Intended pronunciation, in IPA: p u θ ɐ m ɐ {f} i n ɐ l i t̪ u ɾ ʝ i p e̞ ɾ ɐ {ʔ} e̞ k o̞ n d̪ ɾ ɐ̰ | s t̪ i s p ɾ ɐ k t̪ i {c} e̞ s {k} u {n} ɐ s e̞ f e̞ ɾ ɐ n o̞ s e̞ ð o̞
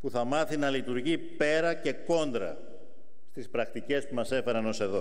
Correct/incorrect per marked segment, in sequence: incorrect: θ, incorrect: c, correct, incorrect: p, incorrect: m

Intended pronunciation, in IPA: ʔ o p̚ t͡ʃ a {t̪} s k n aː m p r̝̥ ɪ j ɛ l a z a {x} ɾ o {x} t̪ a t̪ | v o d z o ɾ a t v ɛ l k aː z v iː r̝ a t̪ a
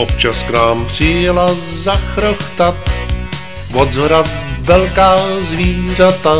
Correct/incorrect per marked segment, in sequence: incorrect: none, correct, correct

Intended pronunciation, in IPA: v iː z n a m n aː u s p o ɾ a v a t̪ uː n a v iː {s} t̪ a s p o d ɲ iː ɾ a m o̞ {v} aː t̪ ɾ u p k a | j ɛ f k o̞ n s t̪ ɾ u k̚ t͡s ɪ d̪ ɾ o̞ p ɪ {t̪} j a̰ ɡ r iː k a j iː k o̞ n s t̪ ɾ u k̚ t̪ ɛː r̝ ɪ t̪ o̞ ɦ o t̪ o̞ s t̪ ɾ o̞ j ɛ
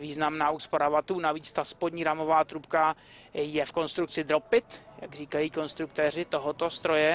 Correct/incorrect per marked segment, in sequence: incorrect: t͡s, correct, correct

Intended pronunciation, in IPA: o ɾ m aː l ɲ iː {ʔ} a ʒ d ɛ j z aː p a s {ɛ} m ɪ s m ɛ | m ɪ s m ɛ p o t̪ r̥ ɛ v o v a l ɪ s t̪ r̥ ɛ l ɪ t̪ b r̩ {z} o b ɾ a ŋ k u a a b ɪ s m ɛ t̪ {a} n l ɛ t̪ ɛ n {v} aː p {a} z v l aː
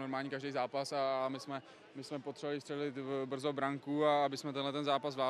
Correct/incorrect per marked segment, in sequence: incorrect: k, incorrect: a, correct, incorrect: ɛ, incorrect: z, correct

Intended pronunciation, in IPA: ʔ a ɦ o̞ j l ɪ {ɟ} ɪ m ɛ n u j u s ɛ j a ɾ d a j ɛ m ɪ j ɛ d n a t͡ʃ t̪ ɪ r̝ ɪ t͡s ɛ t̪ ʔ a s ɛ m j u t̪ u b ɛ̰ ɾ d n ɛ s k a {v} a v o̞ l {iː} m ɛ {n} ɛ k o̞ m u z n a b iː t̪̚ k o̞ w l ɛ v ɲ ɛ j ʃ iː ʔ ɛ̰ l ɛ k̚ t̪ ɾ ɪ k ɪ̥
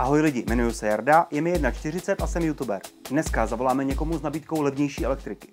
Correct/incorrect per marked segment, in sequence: correct, incorrect: z, incorrect: aː, incorrect: ɲ

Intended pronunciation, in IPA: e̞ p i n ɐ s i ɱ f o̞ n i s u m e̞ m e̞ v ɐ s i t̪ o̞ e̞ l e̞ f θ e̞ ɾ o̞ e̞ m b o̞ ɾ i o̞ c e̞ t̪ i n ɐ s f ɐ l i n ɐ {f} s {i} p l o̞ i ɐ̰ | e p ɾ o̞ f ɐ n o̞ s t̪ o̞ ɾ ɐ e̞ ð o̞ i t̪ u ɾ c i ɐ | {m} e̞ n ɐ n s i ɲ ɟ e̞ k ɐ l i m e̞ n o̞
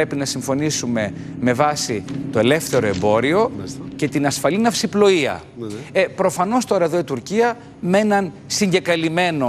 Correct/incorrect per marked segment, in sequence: correct, correct, correct

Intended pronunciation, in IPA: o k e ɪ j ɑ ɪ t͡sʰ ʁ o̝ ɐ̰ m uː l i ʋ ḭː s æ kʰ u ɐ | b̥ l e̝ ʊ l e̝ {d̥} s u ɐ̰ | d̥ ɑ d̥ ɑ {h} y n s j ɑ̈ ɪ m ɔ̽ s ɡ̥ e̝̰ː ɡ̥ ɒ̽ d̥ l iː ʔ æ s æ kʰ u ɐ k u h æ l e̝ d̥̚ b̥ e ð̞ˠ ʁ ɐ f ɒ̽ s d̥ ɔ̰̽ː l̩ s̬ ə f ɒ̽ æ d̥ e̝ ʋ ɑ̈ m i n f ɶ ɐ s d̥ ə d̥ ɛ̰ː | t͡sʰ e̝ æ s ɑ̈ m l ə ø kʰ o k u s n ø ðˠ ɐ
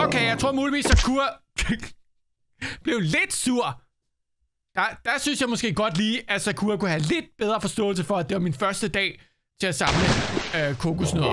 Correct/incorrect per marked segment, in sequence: correct, incorrect: s

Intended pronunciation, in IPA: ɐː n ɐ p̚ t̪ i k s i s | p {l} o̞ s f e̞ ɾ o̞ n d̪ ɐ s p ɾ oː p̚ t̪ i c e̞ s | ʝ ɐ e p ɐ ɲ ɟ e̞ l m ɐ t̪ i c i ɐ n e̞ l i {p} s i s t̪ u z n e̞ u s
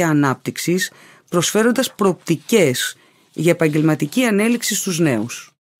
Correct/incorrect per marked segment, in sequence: incorrect: ɾ, incorrect: k

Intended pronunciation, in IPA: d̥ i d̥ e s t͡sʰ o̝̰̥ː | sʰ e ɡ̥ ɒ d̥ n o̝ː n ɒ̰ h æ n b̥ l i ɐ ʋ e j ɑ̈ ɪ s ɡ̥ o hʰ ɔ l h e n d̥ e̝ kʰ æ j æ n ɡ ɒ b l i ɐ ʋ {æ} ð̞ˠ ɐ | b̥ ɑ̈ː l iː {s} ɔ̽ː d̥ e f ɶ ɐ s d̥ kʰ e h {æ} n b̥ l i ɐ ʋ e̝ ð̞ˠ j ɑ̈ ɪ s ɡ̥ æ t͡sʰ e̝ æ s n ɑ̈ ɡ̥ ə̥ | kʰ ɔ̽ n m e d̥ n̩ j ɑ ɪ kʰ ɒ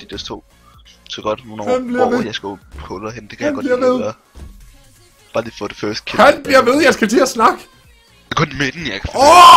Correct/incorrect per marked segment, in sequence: incorrect: e, incorrect: f, correct

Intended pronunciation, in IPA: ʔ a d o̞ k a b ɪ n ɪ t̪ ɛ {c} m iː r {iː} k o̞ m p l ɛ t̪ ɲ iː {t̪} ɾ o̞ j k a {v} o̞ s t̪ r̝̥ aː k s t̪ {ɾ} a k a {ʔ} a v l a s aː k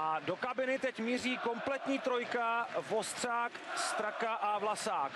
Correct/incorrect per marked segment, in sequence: correct, correct, correct, correct, correct, correct

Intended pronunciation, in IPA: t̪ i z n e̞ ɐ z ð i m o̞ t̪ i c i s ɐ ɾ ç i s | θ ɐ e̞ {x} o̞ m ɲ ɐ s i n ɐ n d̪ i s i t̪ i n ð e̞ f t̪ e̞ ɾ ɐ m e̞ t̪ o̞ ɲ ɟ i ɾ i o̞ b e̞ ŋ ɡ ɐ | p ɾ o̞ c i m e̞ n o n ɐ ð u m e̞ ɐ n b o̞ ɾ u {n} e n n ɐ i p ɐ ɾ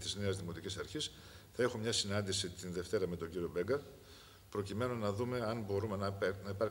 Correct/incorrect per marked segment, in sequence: correct, incorrect: m

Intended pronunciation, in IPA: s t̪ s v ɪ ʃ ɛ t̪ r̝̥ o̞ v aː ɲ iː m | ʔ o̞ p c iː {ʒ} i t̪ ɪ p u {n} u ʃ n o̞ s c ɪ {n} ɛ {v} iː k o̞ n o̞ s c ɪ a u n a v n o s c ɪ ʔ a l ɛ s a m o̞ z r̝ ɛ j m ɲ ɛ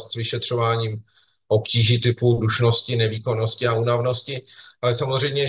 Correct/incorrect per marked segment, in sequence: correct, incorrect: d, correct, correct

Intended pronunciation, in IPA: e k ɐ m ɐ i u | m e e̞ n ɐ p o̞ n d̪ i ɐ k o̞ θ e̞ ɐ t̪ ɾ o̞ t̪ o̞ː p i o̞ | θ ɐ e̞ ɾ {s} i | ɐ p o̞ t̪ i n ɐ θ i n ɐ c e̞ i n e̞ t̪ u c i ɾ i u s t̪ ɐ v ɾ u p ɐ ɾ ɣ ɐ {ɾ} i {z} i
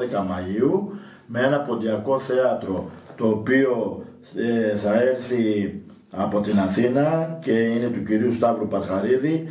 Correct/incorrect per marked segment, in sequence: incorrect: θ, correct, incorrect: ð

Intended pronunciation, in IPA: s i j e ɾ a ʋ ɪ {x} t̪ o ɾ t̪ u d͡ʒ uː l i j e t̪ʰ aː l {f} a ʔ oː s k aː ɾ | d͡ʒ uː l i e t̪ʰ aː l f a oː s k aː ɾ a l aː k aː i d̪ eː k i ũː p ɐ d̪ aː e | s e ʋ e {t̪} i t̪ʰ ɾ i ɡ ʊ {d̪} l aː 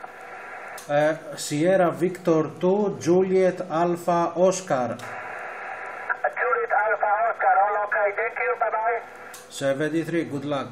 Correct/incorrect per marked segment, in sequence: incorrect: k, correct, incorrect: d̪, correct

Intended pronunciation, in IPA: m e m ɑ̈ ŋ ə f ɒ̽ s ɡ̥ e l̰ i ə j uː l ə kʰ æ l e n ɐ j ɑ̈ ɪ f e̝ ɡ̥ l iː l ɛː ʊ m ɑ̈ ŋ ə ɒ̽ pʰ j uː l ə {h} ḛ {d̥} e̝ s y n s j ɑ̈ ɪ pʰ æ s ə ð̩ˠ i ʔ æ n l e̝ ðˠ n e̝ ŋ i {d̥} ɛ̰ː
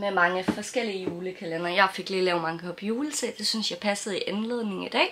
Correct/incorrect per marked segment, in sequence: incorrect: s, correct, correct

